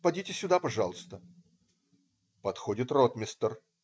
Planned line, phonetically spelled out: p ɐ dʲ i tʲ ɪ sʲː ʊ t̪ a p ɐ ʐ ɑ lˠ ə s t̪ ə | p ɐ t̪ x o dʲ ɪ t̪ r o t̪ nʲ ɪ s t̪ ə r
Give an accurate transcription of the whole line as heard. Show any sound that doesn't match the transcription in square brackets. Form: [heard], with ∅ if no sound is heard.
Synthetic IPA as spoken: p ɐ dʲ i tʲ ɪ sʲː ʊ [d̪] a p ɐ ʐ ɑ lˠ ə s t̪ ə | p ɐ t̪ x o dʲ ɪ t̪ r o t̪ [mʲ] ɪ s t̪ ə r